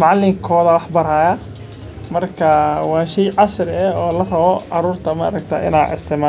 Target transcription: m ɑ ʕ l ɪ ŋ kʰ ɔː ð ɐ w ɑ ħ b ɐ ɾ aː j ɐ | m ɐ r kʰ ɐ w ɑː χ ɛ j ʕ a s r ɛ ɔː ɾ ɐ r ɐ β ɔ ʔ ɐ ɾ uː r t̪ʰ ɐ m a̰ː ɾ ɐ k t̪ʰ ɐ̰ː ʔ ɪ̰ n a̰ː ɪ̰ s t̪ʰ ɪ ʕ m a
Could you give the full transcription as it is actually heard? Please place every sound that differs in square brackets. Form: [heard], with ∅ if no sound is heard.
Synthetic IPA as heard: m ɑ ʕ l ɪ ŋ kʰ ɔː ð ɐ w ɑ ħ b ɐ ɾ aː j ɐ | m ɐ r kʰ ɐ w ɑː [ʃ] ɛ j ʕ [ɑ] s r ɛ ɔː [l] ɐ r ɐ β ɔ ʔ [ɑ] ɾ uː r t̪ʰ ɐ m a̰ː ɾ ɐ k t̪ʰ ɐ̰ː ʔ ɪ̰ n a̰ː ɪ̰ s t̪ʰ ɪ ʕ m a